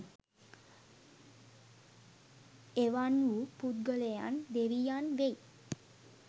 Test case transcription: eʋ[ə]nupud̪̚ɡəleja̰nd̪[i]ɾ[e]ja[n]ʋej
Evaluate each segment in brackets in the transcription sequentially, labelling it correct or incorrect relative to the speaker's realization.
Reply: incorrect, incorrect, incorrect, correct

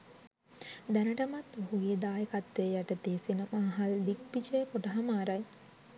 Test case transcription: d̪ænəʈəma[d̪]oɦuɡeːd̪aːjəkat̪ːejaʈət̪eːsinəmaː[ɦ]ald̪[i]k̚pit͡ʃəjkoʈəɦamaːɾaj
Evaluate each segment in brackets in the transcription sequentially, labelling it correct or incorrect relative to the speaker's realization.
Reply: incorrect, correct, correct

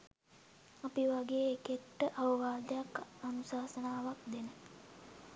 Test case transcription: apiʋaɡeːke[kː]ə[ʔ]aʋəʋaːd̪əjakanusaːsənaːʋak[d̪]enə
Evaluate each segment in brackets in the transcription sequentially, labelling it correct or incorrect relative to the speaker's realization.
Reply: incorrect, correct, correct

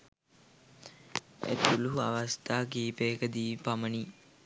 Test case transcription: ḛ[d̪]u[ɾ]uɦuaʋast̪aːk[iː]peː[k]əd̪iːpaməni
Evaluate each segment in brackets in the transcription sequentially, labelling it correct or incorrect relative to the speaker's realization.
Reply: incorrect, incorrect, correct, correct

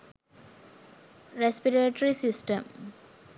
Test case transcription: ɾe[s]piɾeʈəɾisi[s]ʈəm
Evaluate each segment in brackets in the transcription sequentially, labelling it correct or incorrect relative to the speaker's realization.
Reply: correct, correct

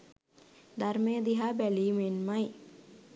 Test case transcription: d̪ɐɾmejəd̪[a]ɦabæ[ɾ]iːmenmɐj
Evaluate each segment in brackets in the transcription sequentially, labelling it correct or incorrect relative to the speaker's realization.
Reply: incorrect, incorrect

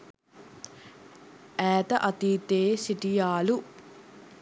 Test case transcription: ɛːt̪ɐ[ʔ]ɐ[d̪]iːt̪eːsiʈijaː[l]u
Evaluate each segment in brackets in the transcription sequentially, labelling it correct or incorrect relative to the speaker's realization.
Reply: correct, incorrect, correct

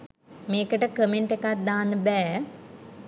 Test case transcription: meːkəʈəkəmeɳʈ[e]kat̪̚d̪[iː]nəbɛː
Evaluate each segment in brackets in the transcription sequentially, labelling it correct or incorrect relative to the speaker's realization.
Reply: correct, incorrect

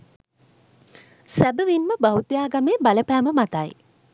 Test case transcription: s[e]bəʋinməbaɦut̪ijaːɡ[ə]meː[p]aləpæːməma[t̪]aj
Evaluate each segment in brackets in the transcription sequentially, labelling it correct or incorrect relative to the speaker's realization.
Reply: incorrect, incorrect, incorrect, correct

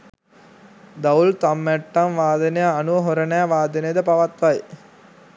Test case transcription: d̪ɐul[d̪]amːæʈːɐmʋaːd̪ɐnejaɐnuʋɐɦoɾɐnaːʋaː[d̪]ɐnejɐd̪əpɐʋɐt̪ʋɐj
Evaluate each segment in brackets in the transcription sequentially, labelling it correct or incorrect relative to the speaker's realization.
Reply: incorrect, correct

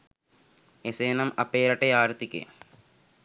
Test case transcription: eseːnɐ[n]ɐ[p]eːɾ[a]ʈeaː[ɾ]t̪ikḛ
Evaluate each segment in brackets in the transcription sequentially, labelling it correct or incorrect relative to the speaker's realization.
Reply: incorrect, correct, incorrect, correct

